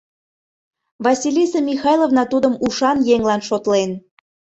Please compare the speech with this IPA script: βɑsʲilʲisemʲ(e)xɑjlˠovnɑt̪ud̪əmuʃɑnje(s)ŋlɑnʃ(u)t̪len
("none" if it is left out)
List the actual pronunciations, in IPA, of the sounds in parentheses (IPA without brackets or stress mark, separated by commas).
i, none, o